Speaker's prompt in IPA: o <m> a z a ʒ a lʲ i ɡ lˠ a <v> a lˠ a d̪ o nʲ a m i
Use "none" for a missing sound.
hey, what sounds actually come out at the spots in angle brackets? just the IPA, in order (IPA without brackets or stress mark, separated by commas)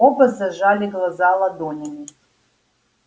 b, z